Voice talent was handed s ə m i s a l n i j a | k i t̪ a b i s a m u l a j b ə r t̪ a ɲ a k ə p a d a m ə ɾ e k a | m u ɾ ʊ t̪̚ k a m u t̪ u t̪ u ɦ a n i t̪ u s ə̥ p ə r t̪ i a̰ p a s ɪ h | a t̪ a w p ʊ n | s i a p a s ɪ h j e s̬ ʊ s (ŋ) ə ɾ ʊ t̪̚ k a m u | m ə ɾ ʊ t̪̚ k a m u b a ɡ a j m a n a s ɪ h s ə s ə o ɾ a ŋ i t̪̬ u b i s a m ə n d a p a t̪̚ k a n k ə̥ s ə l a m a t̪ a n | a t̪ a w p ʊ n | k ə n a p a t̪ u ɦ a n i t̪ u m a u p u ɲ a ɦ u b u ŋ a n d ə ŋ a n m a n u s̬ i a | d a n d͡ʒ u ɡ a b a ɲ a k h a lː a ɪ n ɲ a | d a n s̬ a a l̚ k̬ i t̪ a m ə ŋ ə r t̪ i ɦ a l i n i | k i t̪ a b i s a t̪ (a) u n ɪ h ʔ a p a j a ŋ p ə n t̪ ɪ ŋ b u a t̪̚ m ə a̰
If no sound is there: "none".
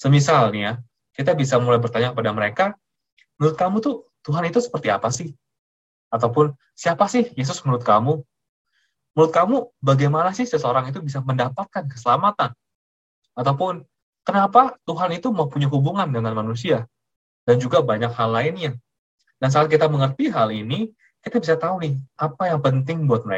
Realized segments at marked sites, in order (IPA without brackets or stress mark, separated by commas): m, a